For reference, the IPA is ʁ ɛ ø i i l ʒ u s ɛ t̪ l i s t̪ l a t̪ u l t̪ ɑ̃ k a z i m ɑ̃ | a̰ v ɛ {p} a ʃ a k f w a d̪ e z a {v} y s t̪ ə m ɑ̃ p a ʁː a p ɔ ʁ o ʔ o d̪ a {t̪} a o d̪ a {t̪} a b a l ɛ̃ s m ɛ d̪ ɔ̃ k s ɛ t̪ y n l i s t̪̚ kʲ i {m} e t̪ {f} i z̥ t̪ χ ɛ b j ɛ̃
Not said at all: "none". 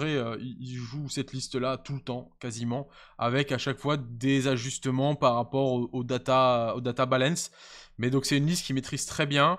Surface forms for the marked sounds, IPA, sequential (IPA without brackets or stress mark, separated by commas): k, ʒ, t̪, t̪, m, χ